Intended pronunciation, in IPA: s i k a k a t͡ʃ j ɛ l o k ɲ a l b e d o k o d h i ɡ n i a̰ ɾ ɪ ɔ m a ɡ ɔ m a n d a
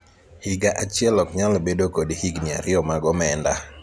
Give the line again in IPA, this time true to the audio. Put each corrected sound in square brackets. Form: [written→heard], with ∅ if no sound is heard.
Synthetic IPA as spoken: [s→h] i [k→ɡ] a [k→ʔ] a t͡ʃ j ɛ l [o→ɔ] k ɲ a l b e d o k o d h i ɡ n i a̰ ɾ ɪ ɔ m a ɡ ɔ m [a→ɛ] n d a